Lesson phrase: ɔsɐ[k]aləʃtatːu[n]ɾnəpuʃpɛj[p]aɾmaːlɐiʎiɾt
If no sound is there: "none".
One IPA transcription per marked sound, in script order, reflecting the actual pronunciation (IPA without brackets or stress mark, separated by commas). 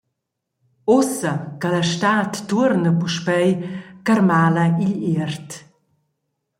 k, none, k